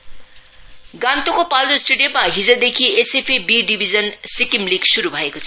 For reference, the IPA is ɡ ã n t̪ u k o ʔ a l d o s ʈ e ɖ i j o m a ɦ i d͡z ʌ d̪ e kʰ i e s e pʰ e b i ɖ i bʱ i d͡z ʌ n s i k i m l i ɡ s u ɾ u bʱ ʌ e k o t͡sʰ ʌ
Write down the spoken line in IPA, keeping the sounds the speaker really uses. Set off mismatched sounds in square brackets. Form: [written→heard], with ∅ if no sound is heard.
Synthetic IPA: ɡ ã n t̪ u k o [ʔ→p] a l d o s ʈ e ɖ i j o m a ɦ i d͡z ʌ d̪ e kʰ i e s e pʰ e b i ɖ i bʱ i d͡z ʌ n s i k i m l i ɡ s u ɾ u bʱ ʌ e k o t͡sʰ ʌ